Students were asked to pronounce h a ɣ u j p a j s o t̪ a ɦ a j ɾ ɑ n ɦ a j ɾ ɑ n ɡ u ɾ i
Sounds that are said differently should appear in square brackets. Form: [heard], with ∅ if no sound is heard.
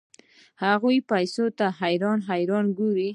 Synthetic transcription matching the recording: h a ɣ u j p a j s o t̪ a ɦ a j ɾ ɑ n ɦ a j ɾ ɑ n ɡ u ɾ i